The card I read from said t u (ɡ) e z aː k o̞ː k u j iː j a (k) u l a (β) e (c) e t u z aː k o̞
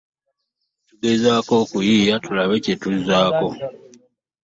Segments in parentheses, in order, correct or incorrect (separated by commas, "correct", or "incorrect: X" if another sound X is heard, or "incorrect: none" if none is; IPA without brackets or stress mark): correct, incorrect: t, correct, correct